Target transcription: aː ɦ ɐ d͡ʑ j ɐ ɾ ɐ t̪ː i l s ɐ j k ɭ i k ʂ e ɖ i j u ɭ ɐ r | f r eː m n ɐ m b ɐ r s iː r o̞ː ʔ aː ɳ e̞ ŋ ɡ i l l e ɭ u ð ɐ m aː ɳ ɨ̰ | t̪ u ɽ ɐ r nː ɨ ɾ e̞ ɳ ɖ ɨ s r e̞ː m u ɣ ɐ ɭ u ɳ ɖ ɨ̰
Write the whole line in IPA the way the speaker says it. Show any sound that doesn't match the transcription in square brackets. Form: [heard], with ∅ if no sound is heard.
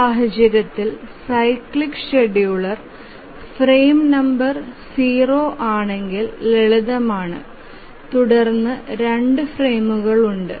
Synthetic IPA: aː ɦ ɐ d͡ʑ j ɐ ɾ ɐ t̪ː i l s ɐ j k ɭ i k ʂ e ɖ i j u ɭ ɐ r | f r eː m n ɐ m b ɐ r s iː r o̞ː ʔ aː ɳ e̞ ŋ ɡ i l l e ɭ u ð ɐ m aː ɳ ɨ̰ | t̪ u ɽ ɐ r nː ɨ ɾ e̞ ɳ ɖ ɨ [f] r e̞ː m u ɣ ɐ ɭ u ɳ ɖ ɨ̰